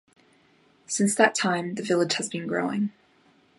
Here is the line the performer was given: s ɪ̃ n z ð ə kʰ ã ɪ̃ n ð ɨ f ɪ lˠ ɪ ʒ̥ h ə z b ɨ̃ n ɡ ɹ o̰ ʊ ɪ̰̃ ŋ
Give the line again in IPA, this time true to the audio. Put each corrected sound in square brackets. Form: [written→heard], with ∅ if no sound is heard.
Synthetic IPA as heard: s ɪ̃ n [z→s] ð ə [kʰ→tʰ] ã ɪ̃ [n→m] ð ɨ [f→v] ɪ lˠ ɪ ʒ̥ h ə z b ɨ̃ n ɡ ɹ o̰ ʊ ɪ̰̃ ŋ